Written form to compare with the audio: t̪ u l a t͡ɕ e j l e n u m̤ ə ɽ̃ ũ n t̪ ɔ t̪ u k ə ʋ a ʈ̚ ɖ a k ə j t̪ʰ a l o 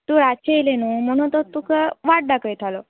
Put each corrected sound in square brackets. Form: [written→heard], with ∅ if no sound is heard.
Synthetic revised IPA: t̪ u [l→ɾ] a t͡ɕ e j l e n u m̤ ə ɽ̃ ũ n t̪ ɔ t̪ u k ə ʋ a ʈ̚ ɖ a k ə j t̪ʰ a l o